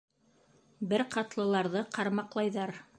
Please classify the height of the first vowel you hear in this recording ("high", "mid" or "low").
mid